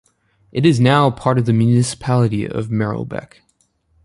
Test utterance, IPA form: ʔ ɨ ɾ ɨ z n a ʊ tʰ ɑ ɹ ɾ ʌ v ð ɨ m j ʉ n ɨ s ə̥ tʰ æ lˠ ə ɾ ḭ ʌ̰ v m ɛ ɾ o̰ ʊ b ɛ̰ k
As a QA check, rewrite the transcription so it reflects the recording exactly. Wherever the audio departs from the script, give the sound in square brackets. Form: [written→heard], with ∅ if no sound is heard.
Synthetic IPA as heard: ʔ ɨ ɾ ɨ z n a ʊ [tʰ→pʰ] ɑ ɹ ɾ ʌ v ð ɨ m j ʉ n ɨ s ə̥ [tʰ→pʰ] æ lˠ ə ɾ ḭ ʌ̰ v m ɛ [ɾ→ɹ] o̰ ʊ b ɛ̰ k